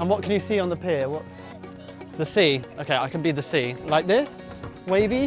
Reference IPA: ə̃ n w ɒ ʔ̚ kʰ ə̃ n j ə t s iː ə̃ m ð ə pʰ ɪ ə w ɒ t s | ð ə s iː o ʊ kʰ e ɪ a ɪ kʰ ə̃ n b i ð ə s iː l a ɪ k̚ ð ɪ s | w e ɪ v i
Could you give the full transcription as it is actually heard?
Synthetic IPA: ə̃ n w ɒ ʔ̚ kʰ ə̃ n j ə s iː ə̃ n ð ə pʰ ɪ ə w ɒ t s | ð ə s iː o ʊ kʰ e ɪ a ɪ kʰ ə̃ n b i ð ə s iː l a ɪ k̚ ð ɪ s | w e ɪ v i

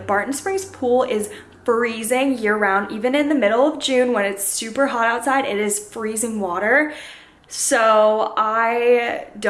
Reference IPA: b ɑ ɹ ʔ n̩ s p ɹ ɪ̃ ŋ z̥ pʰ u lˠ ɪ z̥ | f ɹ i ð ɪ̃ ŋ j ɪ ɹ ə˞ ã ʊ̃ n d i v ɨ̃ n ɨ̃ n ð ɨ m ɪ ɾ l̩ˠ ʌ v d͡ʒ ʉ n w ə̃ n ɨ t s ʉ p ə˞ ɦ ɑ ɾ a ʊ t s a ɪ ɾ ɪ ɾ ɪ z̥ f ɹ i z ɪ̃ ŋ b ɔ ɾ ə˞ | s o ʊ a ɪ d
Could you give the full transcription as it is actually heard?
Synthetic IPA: b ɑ ɹ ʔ n̩ s p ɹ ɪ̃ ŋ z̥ pʰ u lˠ ɪ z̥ | f ɹ i z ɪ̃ ŋ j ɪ ɹ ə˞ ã ʊ̃ n d i v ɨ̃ n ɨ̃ n ð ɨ m ɪ ɾ l̩ˠ ʌ v d͡ʒ ʉ̃ n w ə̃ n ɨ t s ʉ p ə˞ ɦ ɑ ɾ a ʊ t s a ɪ ɾ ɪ ɾ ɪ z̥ f ɹ i z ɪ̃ ŋ w ɔ ɾ ə˞ | s o ʊ a ɪ d

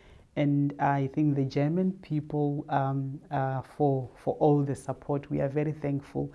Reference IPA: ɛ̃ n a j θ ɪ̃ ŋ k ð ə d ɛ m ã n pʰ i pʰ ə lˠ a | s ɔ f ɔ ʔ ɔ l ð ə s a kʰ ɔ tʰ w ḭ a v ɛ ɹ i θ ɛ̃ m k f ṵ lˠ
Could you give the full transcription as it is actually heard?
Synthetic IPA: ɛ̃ n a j θ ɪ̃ ŋ k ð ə d͡ʒ ɛ m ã n pʰ i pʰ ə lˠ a | f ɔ f ɔ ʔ ɔ l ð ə s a pʰ ɔ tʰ w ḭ a v ɛ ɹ i θ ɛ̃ ŋ k f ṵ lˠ

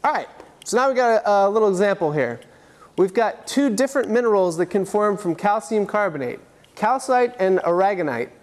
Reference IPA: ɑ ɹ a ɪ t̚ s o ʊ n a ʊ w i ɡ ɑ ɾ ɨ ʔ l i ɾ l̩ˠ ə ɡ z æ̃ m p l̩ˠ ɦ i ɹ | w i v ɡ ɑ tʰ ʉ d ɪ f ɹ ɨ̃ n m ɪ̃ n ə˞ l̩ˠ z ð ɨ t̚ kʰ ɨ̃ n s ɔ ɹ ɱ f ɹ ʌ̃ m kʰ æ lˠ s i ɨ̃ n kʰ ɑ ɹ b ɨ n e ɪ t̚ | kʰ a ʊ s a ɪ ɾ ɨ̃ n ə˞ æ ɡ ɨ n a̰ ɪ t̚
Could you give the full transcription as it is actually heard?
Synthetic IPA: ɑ ɹ a ɪ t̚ s o ʊ n a ʊ w i ɡ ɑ ɾ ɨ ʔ l ɪ ɾ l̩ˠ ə ɡ z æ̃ m p l̩ˠ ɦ i ɹ | w i v ɡ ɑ tʰ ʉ d ɪ f ɹ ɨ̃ n m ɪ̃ n ə˞ l̩ˠ z ð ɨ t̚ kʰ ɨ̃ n f ɔ ɹ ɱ f ɹ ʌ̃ m kʰ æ lˠ s i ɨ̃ m kʰ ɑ ɹ b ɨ n e ɪ t̚ | kʰ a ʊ s a ɪ ɾ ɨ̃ n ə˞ æ ɡ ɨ n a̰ ɪ t̚

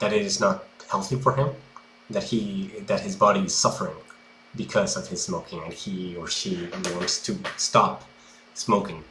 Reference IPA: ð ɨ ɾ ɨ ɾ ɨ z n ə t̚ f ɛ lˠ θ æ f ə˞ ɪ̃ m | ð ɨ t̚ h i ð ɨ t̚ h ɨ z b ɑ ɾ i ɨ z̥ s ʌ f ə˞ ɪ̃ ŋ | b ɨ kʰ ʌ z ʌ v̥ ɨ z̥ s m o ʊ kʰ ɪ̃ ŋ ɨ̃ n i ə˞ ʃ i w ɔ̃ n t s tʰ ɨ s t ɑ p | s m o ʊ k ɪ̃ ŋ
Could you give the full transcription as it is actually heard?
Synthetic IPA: ð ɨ ɾ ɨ ɾ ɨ z n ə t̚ h ɛ lˠ θ i f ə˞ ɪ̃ m | ð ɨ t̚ h i ð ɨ t̚ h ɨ z b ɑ ɾ i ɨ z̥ s ʌ f ə˞ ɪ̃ ŋ | b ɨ kʰ ʌ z ʌ v̥ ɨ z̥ s m o ʊ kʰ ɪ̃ ŋ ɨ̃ n i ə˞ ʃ i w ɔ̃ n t s tʰ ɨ s t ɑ p | s m o ʊ k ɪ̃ ŋ

